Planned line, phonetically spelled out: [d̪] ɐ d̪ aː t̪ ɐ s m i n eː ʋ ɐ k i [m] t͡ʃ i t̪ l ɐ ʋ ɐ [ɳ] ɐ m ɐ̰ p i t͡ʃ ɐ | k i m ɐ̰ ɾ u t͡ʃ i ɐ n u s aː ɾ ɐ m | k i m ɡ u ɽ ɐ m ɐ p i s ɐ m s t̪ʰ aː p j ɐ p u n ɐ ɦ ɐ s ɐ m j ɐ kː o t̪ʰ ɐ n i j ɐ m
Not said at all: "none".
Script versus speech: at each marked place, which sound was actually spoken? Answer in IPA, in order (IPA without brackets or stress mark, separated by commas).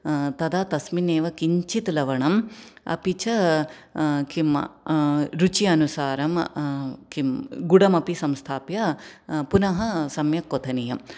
t̪, ɲ, ɳ